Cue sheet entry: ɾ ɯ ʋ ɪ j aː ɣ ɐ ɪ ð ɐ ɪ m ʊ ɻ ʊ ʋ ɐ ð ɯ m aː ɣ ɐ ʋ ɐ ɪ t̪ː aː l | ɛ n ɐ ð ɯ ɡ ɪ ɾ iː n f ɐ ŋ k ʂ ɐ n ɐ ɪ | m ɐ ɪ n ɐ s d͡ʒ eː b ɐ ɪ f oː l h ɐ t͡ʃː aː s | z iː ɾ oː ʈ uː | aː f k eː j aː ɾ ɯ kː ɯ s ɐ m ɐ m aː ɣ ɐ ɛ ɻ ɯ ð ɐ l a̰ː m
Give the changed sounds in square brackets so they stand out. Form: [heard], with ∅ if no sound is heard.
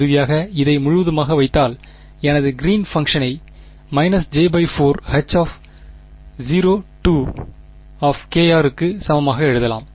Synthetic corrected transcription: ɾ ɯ ʋ ɪ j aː ɣ ɐ ɪ ð ɐ ɪ m ʊ ɻ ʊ ʋ ɐ ð ɯ m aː ɣ ɐ ʋ ɐ ɪ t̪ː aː l | ɛ n ɐ ð ɯ ɡ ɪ ɾ iː n f ɐ ŋ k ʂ ɐ n ɐ ɪ | m ɐ ɪ n ɐ s d͡ʒ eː b ɐ ɪ f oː [ɾ] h ɐ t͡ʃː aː [f] | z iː ɾ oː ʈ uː | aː f k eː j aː ɾ ɯ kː ɯ s ɐ m ɐ m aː ɣ ɐ ɛ ɻ ɯ ð ɐ l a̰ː m